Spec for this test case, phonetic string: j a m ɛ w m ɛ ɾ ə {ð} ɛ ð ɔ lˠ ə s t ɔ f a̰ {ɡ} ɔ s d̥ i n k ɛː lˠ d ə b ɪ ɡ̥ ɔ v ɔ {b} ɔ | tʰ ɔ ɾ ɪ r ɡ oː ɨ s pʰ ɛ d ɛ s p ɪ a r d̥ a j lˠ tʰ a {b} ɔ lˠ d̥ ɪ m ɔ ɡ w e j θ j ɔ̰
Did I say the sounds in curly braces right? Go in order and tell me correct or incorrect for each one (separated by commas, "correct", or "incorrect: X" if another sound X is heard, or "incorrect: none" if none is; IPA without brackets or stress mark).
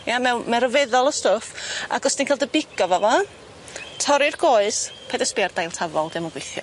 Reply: incorrect: v, correct, incorrect: v, incorrect: v